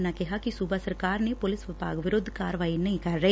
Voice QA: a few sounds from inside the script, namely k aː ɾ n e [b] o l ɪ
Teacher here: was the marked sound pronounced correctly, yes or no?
no